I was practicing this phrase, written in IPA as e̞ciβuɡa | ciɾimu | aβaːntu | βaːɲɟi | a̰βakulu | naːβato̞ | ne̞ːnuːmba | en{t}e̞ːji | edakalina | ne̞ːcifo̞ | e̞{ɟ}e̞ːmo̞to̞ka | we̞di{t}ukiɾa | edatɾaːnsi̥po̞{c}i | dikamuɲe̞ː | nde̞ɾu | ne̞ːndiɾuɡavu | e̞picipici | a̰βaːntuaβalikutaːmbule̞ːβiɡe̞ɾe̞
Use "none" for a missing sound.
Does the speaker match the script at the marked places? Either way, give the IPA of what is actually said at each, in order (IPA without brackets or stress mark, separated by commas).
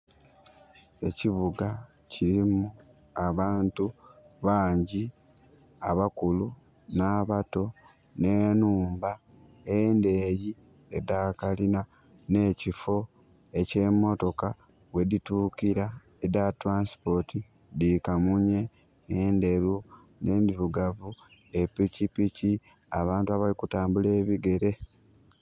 d, c, t, t